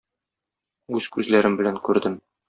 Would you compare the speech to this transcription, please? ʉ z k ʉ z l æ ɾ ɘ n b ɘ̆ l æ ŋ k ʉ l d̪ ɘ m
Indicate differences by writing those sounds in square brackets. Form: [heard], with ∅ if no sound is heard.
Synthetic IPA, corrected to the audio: ʉ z k ʉ z l æ ɾ ɘ [m] b ɘ̆ l æ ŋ k ʉ [ɾ] d̪ ɘ m